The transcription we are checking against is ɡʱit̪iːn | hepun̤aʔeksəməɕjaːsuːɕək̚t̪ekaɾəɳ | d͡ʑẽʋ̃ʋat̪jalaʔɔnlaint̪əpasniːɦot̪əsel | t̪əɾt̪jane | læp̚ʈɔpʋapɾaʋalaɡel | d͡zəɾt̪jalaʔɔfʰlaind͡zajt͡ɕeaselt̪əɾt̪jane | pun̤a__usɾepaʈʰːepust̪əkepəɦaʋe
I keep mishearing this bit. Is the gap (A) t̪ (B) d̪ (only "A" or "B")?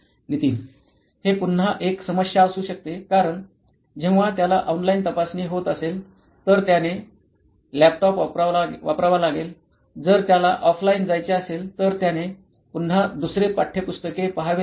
B